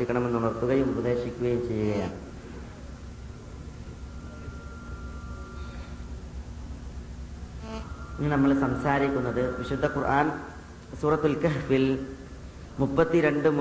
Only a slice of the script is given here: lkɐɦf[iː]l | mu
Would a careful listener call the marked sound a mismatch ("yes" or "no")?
yes